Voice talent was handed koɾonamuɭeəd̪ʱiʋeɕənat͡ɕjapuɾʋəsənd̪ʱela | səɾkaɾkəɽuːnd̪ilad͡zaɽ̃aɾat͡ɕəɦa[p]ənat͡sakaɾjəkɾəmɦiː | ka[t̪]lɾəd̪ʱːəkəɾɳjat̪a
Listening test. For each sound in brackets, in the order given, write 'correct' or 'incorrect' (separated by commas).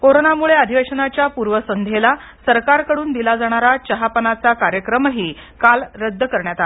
correct, incorrect